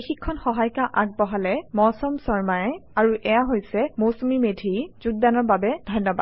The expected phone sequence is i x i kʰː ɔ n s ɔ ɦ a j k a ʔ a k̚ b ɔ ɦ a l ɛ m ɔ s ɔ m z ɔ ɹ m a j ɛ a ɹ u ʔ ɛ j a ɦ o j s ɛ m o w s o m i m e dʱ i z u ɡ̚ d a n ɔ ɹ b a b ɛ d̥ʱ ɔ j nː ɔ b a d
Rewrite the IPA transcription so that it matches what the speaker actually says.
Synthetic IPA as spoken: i x i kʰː ɔ n x ɔ ɦ a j k a ʔ a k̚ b ɔ ɦ a l ɛ m ɔ s ɔ m s ɔ ɹ m a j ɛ a ɹ u ʔ ɛ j a ɦ o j s ɛ m o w s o m i m e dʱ i z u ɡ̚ d a n ɔ ɹ b a b ɛ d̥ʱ ɔ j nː ɔ b a d